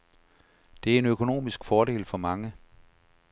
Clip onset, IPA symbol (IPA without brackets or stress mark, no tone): d̥